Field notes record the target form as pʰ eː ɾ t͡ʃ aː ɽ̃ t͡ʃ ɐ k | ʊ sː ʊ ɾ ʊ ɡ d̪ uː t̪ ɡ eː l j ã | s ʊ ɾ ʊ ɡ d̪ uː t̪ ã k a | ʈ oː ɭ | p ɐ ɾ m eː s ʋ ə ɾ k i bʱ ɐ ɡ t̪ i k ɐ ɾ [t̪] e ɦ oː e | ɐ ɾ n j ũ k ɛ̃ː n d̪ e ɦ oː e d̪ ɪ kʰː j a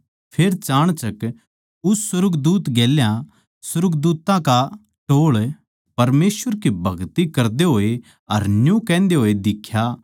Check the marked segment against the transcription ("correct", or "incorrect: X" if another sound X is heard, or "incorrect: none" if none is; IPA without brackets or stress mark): incorrect: d̪